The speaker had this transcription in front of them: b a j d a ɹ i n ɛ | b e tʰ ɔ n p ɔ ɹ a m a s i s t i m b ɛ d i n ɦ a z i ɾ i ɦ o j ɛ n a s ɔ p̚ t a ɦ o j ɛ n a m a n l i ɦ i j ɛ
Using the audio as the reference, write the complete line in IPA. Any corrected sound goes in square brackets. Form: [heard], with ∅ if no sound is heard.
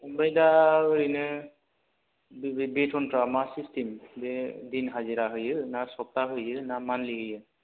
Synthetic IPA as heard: b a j d a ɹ i n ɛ | b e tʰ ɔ n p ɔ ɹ a m a s i s t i m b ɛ d i n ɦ a z i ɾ [a] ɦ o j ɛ n a s ɔ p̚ t a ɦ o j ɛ n a m a n l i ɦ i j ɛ